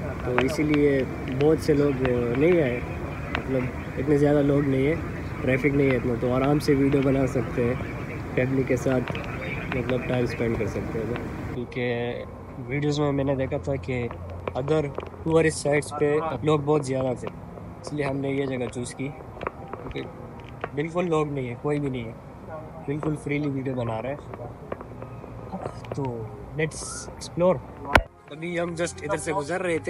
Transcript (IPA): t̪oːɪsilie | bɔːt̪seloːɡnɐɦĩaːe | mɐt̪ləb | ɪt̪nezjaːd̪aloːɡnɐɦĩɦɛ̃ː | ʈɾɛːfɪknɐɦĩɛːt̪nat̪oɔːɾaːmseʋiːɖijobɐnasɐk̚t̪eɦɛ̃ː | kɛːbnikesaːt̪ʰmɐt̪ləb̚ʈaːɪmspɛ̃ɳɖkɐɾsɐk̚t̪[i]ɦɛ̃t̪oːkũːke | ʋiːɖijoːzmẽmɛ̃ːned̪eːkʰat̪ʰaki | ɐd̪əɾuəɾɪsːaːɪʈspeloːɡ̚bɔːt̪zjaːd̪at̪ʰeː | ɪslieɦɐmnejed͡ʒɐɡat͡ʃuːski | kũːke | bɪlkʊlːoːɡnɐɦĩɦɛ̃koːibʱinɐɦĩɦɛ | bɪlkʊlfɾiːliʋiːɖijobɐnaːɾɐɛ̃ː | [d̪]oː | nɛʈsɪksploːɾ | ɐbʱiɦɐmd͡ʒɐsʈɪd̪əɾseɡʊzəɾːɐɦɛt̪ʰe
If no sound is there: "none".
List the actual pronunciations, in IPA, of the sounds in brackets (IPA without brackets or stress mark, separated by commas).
e, t̪